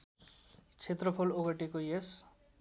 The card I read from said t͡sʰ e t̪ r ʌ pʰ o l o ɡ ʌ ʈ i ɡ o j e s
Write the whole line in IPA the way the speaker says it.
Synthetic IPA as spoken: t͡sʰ e t̪ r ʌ pʰ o l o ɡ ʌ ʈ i k o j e s